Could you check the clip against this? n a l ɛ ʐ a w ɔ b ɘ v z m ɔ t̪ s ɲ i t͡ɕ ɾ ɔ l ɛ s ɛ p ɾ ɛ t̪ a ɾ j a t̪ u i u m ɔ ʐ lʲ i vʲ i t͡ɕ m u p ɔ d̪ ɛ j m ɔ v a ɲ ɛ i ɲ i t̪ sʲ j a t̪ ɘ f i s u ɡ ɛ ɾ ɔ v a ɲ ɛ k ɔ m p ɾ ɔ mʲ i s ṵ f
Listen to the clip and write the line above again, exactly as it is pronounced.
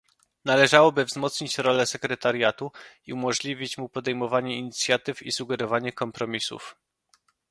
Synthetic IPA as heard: n a l ɛ ʐ a w ɔ b ɘ v z m ɔ t̪ s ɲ i t͡ɕ ɾ ɔ l ɛ s ɛ k ɾ ɛ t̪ a ɾ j a t̪ u i u m ɔ ʐ lʲ i vʲ i t͡ɕ m u p ɔ d̪ ɛ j m ɔ v a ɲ ɛ i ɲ i t̪ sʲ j a t̪ ɘ f i s u ɡ ɛ ɾ ɔ v a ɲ ɛ k ɔ m p ɾ ɔ mʲ i s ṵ f